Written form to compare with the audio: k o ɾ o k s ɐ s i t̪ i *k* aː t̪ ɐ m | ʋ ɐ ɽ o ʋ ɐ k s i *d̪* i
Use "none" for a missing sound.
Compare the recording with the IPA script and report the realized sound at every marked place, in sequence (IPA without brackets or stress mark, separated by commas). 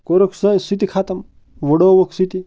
kʰ, t̪